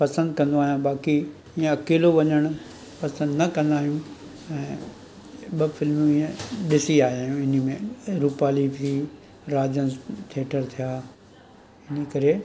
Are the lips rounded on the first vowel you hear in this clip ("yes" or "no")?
no